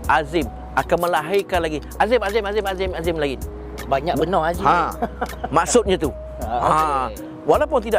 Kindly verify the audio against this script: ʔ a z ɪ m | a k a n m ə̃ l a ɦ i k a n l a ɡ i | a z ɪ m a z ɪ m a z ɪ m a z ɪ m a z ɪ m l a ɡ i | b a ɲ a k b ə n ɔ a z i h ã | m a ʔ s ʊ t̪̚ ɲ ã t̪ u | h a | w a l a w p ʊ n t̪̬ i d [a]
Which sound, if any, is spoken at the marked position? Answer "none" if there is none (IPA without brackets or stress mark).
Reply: a